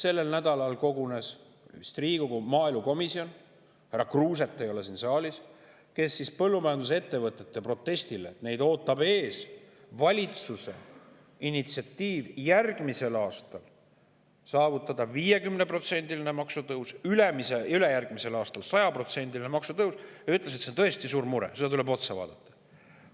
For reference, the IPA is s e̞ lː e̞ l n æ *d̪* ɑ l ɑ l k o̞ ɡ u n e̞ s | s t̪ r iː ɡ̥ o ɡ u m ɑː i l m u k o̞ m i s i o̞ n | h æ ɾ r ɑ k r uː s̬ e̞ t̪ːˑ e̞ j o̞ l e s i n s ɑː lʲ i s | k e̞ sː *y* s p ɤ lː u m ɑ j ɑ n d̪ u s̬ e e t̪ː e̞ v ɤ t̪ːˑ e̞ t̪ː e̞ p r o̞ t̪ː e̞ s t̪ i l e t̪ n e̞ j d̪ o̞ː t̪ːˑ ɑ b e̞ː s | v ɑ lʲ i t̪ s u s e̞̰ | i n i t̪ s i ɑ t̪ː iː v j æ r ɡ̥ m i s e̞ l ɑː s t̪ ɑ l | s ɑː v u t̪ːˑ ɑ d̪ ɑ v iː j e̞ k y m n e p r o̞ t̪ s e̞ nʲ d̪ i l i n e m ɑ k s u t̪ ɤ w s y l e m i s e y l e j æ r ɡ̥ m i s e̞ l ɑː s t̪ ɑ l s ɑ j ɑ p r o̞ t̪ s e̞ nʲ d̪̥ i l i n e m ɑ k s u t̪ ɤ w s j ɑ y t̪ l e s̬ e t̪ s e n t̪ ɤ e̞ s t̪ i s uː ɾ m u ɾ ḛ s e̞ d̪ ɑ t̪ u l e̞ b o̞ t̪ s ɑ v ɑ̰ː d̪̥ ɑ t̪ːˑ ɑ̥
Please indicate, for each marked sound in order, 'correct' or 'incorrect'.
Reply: correct, incorrect: i

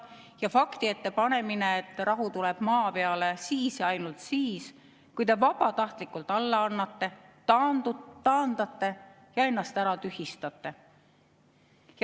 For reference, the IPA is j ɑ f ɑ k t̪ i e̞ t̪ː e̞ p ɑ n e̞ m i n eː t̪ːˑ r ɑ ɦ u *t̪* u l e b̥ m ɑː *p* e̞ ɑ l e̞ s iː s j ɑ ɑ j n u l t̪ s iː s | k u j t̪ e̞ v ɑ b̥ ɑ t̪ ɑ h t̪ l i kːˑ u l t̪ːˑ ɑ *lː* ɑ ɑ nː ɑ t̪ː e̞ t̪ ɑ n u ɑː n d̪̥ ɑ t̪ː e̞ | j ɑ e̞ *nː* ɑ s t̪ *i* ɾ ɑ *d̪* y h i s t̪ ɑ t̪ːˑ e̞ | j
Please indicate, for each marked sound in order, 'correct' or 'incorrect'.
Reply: correct, correct, correct, correct, incorrect: æ, incorrect: t̪

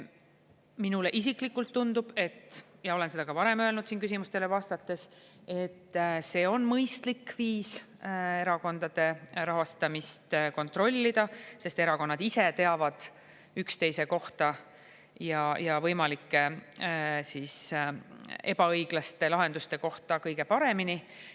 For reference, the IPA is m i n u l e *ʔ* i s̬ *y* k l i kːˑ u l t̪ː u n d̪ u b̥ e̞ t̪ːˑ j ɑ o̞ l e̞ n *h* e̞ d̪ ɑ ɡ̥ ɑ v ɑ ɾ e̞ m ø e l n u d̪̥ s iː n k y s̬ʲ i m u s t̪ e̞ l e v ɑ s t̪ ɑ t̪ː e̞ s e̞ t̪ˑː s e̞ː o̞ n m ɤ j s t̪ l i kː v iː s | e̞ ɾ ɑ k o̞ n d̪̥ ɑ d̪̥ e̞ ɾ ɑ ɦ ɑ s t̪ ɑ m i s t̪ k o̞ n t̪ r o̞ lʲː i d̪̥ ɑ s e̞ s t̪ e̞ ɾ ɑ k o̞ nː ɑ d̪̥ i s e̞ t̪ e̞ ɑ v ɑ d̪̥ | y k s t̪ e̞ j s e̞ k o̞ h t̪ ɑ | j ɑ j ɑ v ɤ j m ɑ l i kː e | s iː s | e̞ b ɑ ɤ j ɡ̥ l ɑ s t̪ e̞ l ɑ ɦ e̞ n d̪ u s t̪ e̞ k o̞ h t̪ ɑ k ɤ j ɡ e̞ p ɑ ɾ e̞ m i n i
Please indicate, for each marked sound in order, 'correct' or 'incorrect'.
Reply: correct, incorrect: i, incorrect: s

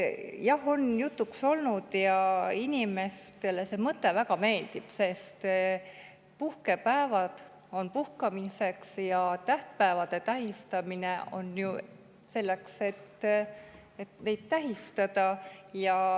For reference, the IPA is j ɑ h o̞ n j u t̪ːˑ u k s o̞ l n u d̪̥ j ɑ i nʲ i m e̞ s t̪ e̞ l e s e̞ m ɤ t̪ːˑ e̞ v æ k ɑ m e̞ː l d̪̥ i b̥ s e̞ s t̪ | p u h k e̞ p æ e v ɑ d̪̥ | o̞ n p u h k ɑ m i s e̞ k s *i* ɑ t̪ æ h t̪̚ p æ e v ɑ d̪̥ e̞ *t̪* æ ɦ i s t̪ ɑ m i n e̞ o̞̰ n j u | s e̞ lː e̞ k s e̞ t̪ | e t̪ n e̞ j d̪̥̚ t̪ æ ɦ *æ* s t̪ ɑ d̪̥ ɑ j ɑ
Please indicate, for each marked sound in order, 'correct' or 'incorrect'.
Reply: incorrect: j, correct, incorrect: i

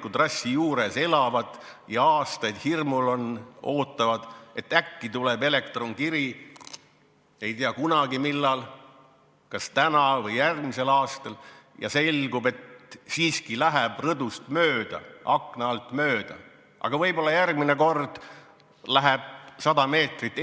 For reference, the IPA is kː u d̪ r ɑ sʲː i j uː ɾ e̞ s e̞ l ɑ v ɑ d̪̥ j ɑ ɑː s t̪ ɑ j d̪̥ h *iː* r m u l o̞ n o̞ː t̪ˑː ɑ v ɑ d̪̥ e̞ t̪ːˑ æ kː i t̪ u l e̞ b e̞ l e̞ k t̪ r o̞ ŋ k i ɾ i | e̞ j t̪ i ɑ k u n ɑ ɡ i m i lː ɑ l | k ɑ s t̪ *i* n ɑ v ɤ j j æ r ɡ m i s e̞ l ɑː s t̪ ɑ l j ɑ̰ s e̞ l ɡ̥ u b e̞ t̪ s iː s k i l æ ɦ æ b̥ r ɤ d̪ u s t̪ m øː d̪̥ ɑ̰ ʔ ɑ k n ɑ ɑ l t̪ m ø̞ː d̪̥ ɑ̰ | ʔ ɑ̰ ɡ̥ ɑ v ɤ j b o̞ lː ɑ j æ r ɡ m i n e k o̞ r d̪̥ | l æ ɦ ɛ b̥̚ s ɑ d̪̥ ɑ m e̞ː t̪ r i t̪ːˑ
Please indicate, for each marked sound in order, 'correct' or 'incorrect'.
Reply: incorrect: i, incorrect: æ

